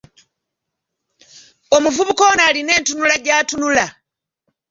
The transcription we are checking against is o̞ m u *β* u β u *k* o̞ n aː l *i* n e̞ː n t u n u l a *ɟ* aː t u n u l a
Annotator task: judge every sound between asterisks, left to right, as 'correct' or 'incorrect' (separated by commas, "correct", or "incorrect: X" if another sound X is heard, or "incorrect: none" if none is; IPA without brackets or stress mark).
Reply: incorrect: v, correct, correct, correct